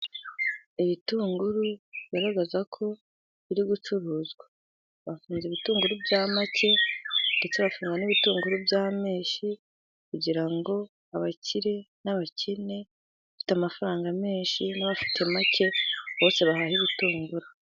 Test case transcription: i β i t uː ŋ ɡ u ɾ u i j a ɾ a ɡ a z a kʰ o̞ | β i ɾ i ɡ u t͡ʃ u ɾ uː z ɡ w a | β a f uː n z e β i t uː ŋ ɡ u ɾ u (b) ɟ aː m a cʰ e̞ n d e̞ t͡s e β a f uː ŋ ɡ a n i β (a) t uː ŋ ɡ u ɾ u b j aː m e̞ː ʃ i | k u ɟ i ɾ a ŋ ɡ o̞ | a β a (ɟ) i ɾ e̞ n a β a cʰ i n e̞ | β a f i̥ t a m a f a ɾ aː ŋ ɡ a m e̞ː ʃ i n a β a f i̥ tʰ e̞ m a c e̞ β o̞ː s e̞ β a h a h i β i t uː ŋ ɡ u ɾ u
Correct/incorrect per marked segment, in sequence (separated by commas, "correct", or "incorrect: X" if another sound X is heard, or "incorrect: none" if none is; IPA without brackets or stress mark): correct, incorrect: i, incorrect: c